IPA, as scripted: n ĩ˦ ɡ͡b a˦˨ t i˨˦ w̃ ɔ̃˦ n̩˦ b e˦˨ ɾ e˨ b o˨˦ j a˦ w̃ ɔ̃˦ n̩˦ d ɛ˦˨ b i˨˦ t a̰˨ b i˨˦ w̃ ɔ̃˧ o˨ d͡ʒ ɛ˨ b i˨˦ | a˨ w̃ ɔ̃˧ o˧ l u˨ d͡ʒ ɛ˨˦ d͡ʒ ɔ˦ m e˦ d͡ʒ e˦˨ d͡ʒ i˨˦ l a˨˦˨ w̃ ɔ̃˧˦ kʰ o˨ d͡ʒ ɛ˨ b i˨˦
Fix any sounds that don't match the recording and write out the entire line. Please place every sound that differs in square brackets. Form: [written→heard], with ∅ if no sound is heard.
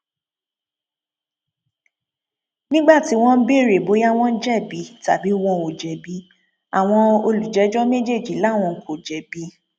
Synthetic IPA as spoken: n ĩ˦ ɡ͡b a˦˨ t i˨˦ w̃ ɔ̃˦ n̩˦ b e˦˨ ɾ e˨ b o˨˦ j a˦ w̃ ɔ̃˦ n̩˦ [d→d͡ʒ] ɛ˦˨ b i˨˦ t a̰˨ b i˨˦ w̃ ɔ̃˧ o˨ d͡ʒ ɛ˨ b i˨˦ | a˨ w̃ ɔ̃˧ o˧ l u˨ d͡ʒ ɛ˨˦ d͡ʒ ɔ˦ m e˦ d͡ʒ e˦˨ d͡ʒ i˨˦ l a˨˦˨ w̃ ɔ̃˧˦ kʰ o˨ d͡ʒ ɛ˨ b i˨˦